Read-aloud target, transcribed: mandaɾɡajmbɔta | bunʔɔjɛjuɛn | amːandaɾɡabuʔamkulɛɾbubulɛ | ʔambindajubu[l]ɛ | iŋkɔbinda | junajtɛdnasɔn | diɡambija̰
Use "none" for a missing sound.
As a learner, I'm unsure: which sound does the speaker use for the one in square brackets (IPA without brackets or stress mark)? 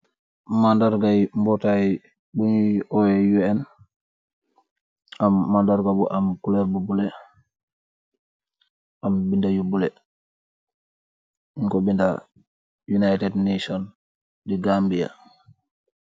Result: l